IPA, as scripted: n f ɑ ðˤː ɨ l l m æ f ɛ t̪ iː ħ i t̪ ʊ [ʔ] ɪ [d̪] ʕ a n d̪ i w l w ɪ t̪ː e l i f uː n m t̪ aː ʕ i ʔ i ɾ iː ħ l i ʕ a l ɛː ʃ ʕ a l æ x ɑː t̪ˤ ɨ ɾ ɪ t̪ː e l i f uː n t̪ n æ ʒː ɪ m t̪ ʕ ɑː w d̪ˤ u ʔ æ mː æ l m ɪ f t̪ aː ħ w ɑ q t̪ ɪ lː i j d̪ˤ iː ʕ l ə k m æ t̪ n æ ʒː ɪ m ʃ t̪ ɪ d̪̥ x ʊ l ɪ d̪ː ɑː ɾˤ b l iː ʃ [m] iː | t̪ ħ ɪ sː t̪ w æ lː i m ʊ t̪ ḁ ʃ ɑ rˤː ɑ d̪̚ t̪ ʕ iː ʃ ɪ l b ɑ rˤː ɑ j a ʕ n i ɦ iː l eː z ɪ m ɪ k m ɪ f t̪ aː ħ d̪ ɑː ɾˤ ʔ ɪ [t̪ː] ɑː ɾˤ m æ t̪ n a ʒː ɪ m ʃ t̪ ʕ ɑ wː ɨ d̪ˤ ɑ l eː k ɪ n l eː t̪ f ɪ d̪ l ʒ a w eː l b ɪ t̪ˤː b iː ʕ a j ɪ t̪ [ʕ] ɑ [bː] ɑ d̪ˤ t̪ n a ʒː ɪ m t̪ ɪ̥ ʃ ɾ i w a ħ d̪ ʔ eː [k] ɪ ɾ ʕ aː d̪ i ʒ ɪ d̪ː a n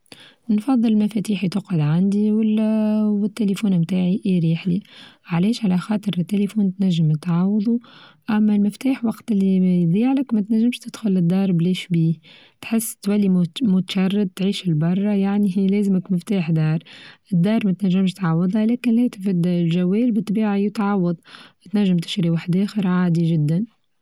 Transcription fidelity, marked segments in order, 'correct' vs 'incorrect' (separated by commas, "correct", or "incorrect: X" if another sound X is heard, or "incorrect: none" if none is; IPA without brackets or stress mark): incorrect: q, correct, incorrect: b, incorrect: d̪ː, correct, incorrect: wː, incorrect: x